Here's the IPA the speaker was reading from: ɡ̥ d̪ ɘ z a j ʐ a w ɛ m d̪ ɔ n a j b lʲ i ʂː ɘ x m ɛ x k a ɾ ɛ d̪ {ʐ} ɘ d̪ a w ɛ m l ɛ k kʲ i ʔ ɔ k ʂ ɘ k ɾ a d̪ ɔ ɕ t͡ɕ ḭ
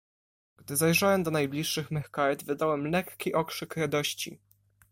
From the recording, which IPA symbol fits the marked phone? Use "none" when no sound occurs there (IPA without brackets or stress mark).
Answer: v